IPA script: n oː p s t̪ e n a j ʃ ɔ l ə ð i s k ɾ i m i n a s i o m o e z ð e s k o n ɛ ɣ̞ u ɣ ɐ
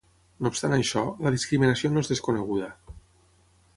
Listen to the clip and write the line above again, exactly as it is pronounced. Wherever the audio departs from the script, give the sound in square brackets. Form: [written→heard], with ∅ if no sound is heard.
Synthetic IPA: n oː p s t̪ [e→a] n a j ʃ ɔ l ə ð i s k ɾ i m i n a s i o [m→n] o e z ð e s k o n [ɛ→e] ɣ̞ u [ɣ→ð] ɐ